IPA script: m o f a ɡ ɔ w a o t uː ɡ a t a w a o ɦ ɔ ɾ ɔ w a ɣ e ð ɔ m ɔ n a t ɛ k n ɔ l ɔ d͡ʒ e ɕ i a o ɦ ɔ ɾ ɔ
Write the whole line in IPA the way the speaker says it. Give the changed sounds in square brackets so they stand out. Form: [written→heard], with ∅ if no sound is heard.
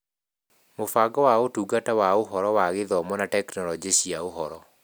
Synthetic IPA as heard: m o f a ɡ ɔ w a o t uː ɡ a t a w a o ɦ ɔ ɾ ɔ w a ɣ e ð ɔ m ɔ n a t ɛ k n ɔ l ɔ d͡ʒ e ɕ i a o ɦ ɔ ɾ ɔ